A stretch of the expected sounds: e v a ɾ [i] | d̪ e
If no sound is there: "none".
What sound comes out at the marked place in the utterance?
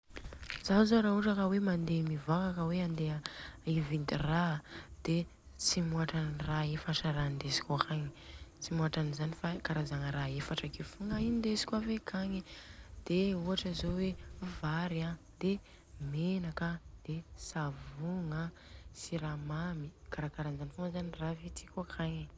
a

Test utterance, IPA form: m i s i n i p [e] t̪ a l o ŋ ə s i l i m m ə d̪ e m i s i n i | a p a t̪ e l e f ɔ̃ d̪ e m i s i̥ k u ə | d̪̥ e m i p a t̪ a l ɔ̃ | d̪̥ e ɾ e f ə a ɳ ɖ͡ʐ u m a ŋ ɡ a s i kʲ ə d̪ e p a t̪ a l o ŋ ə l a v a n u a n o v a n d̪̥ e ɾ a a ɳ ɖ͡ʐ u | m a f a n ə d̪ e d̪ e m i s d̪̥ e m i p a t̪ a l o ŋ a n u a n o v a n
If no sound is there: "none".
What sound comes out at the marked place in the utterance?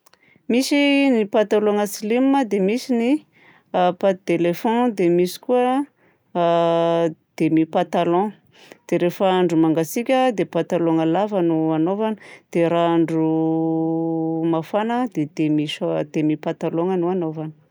a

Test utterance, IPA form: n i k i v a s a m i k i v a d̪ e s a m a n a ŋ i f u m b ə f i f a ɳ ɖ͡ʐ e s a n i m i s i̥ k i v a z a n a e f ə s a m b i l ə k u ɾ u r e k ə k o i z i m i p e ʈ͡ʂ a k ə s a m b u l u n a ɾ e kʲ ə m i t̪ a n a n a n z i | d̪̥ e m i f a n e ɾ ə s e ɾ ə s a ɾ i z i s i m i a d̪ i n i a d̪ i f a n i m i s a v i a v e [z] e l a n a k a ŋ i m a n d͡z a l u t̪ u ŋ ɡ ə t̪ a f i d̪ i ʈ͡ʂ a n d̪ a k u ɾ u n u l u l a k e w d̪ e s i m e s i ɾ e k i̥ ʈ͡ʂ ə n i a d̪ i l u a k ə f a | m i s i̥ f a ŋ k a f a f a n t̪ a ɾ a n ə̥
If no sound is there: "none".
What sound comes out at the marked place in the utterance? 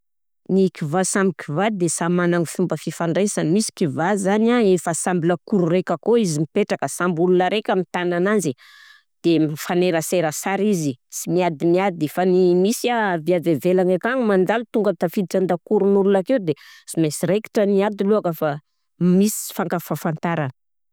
v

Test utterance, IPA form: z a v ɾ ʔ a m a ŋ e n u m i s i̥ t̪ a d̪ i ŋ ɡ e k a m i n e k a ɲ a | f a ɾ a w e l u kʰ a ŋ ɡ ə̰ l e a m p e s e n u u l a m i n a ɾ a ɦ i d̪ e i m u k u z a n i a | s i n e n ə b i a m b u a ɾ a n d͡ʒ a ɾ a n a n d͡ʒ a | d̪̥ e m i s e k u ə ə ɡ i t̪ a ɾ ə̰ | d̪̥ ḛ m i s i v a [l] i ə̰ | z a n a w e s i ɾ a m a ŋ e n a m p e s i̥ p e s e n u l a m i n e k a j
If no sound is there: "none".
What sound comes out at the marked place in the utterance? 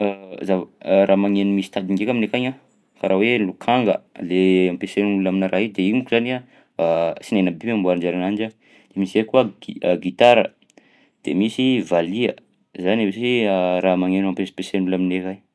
l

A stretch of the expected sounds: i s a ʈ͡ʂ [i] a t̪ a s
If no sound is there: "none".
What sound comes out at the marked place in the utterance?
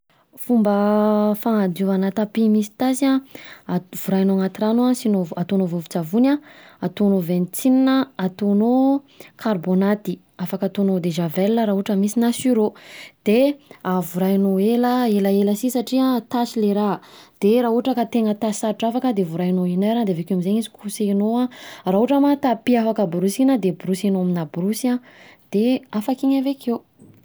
i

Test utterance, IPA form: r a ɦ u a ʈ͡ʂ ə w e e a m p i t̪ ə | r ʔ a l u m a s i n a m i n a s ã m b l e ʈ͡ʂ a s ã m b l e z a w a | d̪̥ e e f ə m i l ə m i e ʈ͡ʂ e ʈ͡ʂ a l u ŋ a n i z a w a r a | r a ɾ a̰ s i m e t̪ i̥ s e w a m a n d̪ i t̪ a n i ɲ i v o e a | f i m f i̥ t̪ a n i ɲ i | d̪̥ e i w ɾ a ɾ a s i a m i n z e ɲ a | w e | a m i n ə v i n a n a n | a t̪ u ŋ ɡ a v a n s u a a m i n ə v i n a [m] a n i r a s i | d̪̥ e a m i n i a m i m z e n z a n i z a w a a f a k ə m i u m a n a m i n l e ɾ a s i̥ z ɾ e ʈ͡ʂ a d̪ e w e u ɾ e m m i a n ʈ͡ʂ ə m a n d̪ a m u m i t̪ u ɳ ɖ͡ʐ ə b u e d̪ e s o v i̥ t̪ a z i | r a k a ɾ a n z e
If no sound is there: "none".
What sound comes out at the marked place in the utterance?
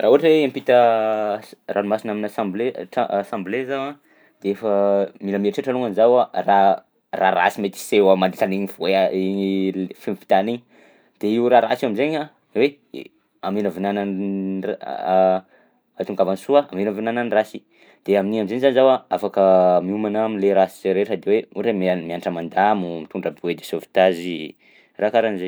n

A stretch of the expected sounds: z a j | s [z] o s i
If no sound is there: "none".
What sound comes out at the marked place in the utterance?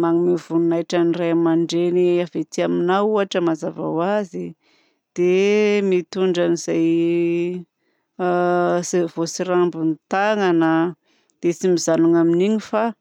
v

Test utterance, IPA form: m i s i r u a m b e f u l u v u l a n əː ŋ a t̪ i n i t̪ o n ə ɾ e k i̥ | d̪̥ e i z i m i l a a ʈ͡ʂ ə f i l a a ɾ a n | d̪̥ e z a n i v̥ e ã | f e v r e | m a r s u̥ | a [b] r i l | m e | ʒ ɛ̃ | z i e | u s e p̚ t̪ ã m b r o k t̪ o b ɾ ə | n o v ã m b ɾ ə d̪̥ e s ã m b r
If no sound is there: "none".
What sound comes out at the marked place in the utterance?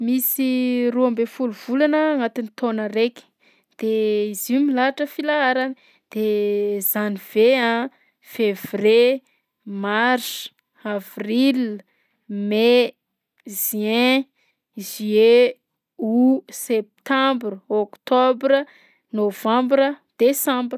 v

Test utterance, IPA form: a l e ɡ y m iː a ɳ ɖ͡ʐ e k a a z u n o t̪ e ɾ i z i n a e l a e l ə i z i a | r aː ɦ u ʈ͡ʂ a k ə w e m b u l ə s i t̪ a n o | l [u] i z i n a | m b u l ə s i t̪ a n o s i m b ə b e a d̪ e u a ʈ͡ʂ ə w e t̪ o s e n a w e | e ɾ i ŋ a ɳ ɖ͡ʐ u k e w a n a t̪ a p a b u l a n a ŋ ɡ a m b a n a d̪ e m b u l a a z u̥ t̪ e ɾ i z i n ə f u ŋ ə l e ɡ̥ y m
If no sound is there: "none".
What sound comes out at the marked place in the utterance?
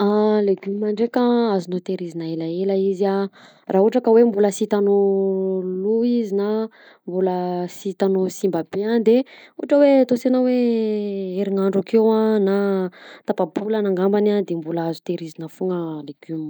u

